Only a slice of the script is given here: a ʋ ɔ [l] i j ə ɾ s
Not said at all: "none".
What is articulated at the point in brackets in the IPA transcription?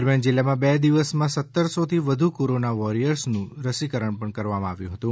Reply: ɾ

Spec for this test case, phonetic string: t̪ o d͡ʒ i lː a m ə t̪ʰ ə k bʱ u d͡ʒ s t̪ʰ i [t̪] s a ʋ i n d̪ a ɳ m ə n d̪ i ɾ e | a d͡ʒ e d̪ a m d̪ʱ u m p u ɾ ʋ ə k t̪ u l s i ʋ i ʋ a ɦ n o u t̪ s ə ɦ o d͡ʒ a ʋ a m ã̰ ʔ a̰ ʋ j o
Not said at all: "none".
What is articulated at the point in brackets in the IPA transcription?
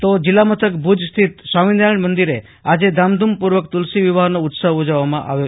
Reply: t̪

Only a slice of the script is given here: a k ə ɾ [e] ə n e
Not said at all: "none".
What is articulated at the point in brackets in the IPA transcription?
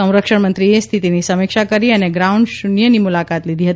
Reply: i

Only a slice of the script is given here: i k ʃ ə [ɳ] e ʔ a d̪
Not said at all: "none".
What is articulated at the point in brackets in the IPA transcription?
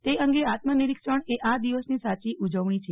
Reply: ɳ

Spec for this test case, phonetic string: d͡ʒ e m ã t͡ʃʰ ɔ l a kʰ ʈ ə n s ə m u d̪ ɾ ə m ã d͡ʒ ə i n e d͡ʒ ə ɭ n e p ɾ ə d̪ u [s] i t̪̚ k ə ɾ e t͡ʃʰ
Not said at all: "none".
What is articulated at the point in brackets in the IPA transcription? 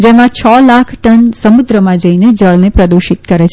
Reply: ʃ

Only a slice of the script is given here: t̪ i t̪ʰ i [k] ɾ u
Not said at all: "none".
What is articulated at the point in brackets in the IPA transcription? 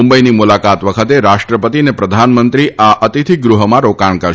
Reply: ɡ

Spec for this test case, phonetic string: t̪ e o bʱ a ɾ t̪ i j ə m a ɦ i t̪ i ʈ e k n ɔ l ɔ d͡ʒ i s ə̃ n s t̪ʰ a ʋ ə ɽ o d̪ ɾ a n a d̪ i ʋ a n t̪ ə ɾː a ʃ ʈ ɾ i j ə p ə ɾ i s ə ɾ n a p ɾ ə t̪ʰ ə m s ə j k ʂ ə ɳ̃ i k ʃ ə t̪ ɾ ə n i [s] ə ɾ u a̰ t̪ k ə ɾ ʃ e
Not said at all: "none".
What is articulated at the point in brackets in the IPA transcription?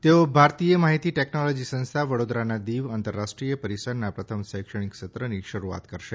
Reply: ʃ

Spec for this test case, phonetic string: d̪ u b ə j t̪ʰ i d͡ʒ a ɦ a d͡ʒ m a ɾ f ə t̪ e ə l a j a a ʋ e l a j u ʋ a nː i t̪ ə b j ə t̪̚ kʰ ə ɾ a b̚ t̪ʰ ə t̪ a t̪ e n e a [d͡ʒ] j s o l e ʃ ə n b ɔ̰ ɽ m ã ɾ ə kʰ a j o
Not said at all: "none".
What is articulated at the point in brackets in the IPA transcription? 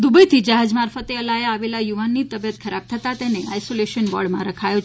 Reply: none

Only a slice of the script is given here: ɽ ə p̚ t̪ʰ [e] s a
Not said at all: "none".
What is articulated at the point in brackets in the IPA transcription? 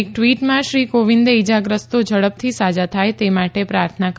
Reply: i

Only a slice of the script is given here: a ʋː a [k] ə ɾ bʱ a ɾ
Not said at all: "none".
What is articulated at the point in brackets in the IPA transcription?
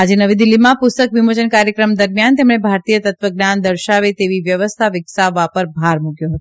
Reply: p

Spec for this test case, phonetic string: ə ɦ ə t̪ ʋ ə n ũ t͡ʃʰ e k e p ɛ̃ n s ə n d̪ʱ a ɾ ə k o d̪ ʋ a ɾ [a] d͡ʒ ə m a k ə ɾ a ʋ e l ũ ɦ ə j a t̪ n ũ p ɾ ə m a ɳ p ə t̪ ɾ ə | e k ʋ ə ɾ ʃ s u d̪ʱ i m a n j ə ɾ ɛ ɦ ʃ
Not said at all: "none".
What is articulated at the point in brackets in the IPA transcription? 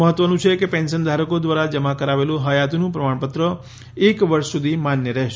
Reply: a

